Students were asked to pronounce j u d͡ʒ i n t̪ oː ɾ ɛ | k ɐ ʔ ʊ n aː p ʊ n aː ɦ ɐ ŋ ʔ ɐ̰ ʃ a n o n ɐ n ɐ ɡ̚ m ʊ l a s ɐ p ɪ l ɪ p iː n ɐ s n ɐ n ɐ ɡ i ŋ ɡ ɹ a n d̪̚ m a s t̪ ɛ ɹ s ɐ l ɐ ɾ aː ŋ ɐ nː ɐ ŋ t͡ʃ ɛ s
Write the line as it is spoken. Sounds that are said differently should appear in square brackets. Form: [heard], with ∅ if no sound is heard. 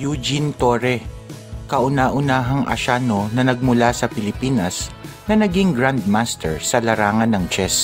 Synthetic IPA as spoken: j u d͡ʒ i n t̪ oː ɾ ɛ | k ɐ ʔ ʊ n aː [ʔ] ʊ n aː ɦ ɐ ŋ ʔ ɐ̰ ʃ a n o n ɐ n ɐ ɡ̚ m ʊ l a s ɐ p ɪ l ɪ p iː n ɐ s n ɐ n ɐ ɡ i ŋ ɡ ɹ a n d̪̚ m a s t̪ ɛ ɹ s ɐ l ɐ ɾ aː ŋ ɐ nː ɐ ŋ t͡ʃ ɛ s